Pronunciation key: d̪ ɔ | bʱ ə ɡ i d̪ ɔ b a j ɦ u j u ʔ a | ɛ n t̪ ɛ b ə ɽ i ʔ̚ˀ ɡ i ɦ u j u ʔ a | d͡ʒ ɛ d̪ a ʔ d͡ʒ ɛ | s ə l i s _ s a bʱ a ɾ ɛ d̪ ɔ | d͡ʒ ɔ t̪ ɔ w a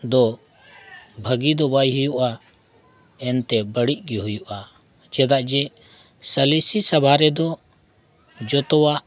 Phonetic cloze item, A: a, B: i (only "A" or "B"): B